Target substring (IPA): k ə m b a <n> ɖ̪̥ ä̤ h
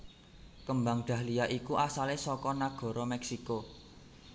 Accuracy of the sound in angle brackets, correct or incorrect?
incorrect: ŋ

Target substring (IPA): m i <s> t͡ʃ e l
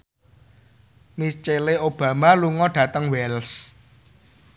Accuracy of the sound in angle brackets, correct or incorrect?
correct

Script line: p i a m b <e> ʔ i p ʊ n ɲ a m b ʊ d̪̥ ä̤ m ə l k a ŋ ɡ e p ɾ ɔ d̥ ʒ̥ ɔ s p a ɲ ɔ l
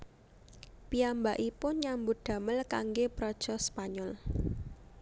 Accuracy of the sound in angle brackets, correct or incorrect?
incorrect: a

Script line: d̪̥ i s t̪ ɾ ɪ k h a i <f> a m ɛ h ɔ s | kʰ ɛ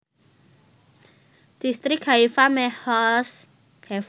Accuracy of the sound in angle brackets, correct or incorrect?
correct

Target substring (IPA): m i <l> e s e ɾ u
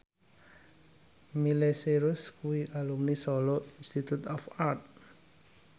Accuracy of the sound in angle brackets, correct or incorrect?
correct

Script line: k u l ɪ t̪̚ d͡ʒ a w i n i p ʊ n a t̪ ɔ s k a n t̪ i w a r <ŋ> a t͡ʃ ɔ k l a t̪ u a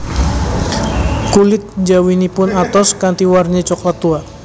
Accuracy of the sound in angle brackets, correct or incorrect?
incorrect: ɲ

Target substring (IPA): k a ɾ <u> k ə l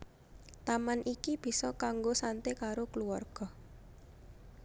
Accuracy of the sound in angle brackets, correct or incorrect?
incorrect: o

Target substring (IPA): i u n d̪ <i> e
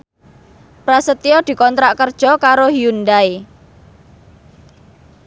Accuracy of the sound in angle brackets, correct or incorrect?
incorrect: a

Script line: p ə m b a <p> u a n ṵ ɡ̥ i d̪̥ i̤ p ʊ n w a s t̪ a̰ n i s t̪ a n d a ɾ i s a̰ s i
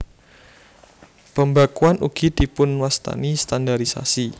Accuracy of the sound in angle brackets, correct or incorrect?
incorrect: k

